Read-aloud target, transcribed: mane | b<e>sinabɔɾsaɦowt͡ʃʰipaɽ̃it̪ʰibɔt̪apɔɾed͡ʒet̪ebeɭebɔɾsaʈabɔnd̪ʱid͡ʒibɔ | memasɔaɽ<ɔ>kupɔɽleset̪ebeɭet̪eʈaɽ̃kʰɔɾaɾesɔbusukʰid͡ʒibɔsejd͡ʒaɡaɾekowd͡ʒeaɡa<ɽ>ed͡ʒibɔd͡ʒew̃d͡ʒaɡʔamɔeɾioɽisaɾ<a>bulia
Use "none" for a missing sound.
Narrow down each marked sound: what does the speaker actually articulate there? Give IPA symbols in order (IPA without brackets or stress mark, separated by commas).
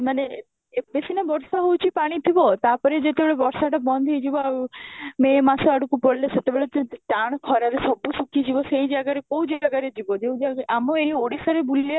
e, u, ɾ, e